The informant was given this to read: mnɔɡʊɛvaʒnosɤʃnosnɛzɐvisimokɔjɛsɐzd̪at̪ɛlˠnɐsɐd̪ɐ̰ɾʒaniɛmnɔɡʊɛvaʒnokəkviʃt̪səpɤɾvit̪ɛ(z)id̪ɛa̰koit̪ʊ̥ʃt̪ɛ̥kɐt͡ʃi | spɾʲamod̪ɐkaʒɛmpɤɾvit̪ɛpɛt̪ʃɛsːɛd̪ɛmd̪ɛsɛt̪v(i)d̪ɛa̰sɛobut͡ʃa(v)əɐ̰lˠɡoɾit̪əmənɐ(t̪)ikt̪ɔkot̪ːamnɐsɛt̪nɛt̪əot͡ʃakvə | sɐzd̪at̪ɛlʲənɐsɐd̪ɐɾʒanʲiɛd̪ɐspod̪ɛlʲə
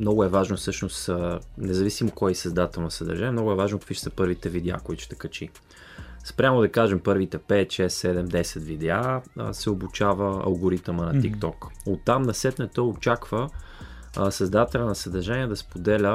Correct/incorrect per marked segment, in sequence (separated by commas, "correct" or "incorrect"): incorrect, correct, correct, correct